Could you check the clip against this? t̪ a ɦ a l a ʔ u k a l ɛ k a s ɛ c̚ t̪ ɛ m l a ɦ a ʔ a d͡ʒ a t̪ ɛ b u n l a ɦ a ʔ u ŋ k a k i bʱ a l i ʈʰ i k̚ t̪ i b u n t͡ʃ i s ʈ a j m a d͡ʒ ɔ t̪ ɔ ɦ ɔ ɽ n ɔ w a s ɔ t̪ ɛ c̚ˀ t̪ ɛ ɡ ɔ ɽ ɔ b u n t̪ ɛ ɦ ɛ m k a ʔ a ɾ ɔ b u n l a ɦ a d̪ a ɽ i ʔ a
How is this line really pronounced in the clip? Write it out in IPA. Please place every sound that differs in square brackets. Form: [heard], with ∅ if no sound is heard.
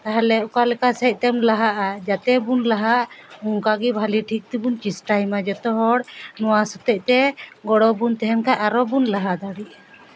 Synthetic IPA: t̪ a ɦ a l [ɛ] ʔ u k a l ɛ k a s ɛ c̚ t̪ ɛ m l a ɦ a ʔ a d͡ʒ a t̪ ɛ b u n l a ɦ a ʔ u ŋ k a [ɡ] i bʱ a l i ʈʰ i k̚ t̪ i b u n t͡ʃ i s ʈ a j m a d͡ʒ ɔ t̪ ɔ ɦ ɔ ɽ n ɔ w a s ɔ t̪ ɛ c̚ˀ t̪ ɛ ɡ ɔ ɽ ɔ b u n t̪ ɛ ɦ ɛ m k a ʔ a ɾ ɔ b u n l a ɦ a d̪ a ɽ i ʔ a